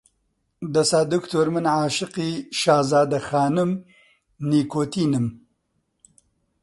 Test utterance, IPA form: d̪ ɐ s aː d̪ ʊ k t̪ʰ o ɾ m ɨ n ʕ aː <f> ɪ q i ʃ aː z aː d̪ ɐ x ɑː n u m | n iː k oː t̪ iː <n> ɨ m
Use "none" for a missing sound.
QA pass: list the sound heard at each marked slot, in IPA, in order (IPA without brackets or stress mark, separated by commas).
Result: ʃ, n